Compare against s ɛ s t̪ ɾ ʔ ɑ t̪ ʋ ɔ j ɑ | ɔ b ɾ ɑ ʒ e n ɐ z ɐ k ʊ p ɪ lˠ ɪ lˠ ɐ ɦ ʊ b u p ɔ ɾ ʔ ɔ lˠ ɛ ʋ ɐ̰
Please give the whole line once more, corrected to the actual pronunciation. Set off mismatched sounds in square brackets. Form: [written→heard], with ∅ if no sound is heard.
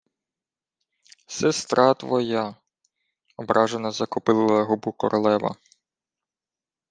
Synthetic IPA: s ɛ s t̪ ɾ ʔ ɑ t̪ ʋ ɔ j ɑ | ɔ b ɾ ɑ ʒ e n ɐ z ɐ k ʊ p ɪ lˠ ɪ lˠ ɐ ɦ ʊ b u [p→k] ɔ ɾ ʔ ɔ lˠ ɛ ʋ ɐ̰